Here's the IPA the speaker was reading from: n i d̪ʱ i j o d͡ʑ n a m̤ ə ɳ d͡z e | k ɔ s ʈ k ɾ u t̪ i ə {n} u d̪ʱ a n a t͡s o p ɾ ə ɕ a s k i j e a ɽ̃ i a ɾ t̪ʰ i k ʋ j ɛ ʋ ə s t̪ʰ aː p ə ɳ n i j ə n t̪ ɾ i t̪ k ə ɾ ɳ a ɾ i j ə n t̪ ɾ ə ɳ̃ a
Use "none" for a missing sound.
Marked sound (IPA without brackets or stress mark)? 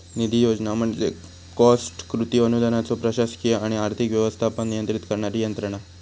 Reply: n